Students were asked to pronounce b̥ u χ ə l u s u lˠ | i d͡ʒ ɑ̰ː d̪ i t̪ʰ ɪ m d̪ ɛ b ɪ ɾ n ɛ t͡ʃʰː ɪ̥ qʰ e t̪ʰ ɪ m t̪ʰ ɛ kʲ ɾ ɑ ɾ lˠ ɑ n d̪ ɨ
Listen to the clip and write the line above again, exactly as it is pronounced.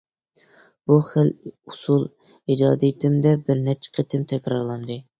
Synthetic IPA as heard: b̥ u χ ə l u s u lˠ | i d͡ʒ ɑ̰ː d̪ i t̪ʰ ɪ m d̪ ɛ b ɪ ɾ n ɛ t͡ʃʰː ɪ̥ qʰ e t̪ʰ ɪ m t̪ʰ ɛ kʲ ɾ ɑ ɾ lˠ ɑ n d̪ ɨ